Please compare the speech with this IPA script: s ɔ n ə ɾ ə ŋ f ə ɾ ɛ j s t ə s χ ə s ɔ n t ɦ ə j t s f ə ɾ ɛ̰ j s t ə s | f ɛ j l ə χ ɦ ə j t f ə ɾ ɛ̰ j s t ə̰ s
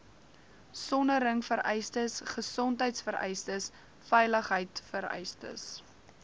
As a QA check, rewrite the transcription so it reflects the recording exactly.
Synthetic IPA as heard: s ɔ n ə ɾ ə ŋ f ə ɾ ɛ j s t ə s χ ə s ɔ n t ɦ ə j t s f ə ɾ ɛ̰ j s t ə s | f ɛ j l ə χ ɦ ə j t f ə ɾ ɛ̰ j s t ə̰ s

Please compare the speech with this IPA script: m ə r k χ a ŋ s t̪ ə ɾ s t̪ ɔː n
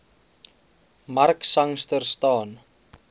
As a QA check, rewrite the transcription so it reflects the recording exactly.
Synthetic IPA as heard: m a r k s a ŋ s t̪ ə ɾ s t̪ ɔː n

